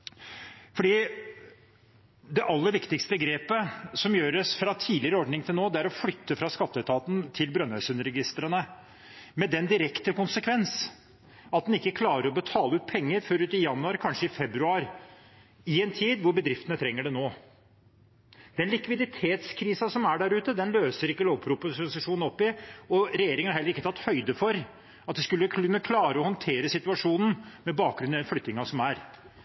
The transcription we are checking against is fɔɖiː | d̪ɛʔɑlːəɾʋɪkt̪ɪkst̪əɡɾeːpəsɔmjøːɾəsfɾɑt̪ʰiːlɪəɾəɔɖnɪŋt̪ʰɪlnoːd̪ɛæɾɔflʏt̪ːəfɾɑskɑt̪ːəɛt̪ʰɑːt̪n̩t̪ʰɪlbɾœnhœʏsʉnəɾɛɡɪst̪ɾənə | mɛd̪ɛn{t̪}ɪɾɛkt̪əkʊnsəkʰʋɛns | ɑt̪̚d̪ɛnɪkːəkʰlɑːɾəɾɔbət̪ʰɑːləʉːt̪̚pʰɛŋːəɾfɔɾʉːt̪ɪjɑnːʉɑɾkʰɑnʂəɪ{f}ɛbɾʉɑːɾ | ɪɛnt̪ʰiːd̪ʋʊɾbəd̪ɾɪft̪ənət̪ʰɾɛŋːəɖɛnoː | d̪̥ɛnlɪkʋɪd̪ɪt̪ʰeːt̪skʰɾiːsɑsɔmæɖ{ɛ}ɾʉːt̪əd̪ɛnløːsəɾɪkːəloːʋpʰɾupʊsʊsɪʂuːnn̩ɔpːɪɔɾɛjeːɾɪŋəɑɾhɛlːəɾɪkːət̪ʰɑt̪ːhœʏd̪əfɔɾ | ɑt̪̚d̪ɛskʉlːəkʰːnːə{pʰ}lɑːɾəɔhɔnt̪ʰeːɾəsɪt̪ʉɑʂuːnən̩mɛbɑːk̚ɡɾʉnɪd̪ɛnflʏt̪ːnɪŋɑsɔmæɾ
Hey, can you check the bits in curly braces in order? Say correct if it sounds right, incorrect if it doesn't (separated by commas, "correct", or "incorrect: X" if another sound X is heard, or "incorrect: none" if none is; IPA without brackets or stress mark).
incorrect: d̪, correct, incorrect: æ, incorrect: kʰ